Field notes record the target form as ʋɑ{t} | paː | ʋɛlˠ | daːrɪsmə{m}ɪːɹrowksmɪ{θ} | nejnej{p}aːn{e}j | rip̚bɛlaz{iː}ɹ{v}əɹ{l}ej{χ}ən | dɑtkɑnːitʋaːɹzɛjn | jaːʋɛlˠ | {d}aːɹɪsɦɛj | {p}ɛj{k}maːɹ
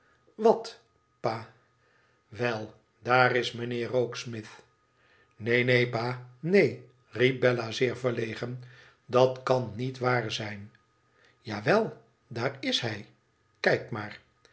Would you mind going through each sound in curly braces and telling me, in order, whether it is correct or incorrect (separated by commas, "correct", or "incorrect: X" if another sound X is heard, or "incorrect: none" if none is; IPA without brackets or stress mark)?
correct, incorrect: n, correct, correct, correct, incorrect: ɪː, correct, correct, correct, correct, incorrect: k, correct